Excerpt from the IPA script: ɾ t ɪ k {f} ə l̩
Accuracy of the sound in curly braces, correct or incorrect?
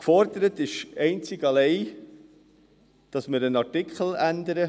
incorrect